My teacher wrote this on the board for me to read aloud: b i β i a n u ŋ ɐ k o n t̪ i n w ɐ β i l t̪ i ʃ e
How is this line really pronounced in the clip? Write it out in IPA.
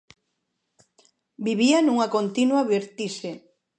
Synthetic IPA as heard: b i β i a n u ŋ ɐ k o n t̪ i n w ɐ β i ɾ t̪ i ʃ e